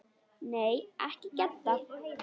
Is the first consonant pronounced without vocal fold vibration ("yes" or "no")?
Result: no